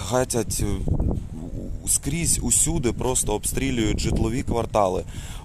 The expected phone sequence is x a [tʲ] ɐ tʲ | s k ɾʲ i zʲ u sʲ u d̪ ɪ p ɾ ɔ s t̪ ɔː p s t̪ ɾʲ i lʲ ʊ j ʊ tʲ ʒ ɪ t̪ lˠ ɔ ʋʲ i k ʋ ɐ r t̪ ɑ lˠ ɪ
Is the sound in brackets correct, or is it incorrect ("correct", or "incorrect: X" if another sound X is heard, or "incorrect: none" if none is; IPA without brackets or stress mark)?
correct